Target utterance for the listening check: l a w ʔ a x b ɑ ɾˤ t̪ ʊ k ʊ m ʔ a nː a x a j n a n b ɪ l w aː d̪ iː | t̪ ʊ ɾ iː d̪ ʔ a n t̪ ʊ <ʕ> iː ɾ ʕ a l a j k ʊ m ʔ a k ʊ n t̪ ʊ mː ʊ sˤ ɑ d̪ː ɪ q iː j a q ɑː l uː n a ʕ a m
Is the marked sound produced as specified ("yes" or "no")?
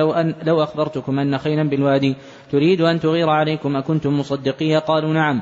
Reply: no